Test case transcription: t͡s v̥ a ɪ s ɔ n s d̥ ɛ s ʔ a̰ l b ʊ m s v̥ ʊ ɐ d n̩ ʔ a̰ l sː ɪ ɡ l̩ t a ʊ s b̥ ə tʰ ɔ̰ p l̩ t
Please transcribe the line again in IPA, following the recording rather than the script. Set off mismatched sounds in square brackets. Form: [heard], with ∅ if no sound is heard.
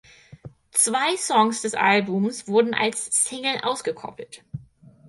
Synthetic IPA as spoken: t͡s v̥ a ɪ s ɔ [ŋ] s d̥ ɛ s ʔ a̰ l b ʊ m s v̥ ʊ ɐ d n̩ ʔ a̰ l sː ɪ [ŋ] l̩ [ʔ] a ʊ s [ɡ̥] ə [kʰ] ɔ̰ p l̩ t